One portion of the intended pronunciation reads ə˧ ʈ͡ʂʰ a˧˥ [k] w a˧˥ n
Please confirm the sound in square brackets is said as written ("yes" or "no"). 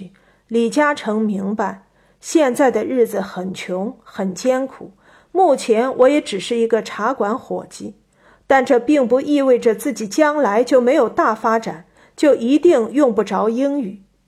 yes